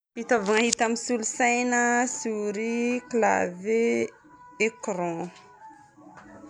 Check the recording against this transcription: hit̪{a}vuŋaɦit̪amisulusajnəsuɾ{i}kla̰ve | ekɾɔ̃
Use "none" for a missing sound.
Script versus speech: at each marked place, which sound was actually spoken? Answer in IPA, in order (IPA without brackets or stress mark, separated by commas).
a, i